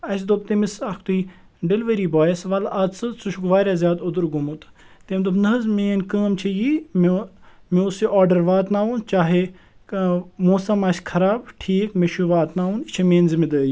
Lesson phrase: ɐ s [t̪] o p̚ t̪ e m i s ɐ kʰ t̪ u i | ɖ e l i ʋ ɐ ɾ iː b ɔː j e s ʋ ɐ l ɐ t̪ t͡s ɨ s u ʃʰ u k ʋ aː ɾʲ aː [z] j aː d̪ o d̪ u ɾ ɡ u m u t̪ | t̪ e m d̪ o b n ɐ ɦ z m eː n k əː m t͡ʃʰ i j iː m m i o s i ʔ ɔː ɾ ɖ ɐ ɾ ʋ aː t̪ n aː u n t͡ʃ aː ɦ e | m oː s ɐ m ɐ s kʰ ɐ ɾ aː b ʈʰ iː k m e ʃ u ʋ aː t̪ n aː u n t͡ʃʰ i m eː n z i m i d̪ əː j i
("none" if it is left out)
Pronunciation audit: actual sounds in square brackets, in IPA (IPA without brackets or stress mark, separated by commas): d̪, z